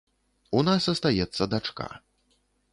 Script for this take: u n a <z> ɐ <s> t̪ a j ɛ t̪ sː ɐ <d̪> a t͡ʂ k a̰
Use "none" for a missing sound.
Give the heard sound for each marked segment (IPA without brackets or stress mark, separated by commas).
s, s, d̪